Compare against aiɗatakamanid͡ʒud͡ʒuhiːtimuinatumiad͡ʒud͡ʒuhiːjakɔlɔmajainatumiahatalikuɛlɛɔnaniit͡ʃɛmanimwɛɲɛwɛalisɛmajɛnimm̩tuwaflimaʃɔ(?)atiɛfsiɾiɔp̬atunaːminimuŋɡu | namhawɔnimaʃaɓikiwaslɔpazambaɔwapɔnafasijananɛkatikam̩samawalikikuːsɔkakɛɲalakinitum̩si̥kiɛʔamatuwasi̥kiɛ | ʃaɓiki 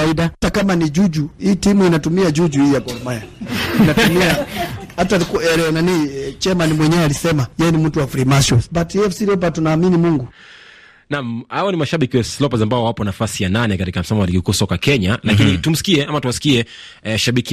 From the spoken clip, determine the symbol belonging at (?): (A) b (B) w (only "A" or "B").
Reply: A